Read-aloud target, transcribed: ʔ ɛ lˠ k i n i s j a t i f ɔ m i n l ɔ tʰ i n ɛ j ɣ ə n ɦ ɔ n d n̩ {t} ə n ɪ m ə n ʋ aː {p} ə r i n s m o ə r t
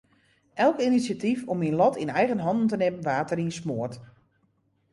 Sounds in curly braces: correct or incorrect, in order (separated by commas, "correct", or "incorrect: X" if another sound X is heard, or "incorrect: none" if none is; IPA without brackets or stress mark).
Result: correct, incorrect: t